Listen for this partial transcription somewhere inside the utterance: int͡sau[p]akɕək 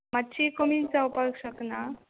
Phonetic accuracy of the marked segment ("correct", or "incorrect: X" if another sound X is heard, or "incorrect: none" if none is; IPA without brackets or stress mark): correct